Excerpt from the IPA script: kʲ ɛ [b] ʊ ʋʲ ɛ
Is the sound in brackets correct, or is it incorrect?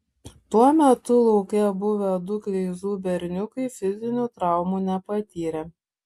correct